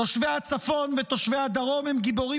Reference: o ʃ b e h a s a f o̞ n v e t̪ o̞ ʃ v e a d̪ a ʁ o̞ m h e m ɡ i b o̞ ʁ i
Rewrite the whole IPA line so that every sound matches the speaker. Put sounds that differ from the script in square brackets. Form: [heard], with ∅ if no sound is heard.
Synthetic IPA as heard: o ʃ [v] e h a [t͡s] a f o̞ n v e t̪ o̞ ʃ v e a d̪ a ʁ o̞ m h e m ɡ i b o̞ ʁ i